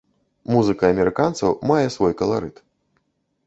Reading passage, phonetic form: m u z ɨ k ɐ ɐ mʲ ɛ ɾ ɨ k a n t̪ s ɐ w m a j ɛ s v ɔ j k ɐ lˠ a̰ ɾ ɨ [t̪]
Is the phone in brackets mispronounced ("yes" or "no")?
no